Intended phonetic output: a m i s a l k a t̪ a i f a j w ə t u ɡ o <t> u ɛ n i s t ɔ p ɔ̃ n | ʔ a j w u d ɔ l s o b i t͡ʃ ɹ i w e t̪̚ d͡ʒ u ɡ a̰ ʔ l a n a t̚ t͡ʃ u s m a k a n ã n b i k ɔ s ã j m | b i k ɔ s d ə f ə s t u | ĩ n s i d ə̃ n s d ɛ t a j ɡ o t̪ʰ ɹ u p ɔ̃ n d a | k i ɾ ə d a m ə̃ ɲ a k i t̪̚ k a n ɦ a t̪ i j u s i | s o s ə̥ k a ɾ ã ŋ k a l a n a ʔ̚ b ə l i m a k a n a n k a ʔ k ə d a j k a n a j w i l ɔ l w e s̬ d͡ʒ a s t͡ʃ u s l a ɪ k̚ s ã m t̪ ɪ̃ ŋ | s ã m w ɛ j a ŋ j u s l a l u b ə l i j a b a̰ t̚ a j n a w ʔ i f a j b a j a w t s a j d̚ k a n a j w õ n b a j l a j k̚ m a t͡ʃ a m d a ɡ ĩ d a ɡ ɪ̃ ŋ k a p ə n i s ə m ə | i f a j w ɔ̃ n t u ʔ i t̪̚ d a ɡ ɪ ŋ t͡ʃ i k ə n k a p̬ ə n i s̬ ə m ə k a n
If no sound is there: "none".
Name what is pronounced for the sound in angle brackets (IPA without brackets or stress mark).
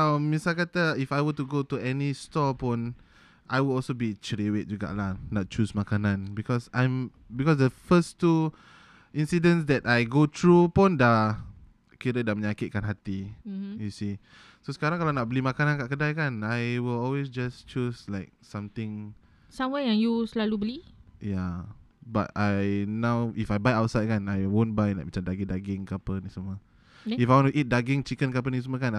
t